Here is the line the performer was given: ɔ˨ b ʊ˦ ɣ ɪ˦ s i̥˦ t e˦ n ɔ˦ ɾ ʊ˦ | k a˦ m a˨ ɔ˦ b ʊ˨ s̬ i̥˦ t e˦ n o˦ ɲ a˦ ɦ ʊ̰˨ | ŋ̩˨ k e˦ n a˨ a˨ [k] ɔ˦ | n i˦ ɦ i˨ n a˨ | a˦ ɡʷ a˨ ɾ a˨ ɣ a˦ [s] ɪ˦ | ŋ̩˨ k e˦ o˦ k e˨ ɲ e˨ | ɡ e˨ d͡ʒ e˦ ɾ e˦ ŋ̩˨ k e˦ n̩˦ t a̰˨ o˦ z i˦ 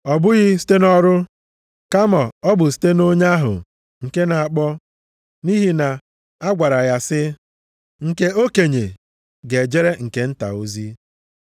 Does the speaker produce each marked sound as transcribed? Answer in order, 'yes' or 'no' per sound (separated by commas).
no, yes